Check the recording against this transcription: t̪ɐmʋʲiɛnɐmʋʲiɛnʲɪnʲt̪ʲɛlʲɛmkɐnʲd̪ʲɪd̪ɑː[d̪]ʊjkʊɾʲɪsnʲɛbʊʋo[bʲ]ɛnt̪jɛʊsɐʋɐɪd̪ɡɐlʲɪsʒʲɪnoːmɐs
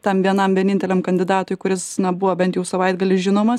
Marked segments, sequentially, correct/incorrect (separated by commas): incorrect, correct